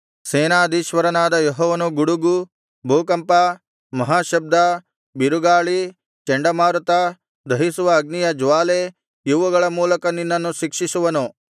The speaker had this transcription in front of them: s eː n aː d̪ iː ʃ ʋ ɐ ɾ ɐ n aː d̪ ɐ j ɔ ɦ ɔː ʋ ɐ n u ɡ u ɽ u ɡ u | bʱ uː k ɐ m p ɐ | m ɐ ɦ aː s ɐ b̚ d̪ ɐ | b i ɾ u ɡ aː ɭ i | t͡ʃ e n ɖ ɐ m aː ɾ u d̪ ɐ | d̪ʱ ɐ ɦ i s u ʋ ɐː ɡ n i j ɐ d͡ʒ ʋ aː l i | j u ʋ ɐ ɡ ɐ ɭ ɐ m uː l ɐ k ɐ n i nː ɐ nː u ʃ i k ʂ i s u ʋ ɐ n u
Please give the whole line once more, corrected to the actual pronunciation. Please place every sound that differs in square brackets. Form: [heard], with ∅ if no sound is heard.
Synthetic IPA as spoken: s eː n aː d̪ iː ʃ ʋ ɐ ɾ ɐ n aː d̪ ɐ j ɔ ɦ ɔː ʋ ɐ n u ɡ u ɽ u ɡ u | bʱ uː k ɐ m p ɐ | m ɐ ɦ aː [ʃ] ɐ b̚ d̪ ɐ | b i ɾ u ɡ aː ɭ i | t͡ʃ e [ɳ] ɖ ɐ m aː ɾ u [t̪] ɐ | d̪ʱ ɐ ɦ i s u ʋ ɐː ɡ n i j ɐ d͡ʒ ʋ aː l [e] | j u ʋ ɐ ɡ ɐ ɭ ɐ m uː l ɐ k ɐ n i nː ɐ nː u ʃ i k ʂ i s u ʋ ɐ n u